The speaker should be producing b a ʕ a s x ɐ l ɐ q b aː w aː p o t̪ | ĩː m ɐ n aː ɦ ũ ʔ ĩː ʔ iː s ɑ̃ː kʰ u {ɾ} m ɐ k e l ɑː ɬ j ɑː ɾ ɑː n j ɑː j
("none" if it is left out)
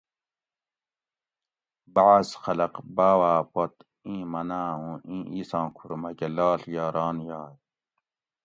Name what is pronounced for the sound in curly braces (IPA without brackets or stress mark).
ɾ